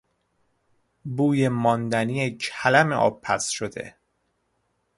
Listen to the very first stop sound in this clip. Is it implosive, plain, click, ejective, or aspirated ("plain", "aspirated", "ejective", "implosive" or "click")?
plain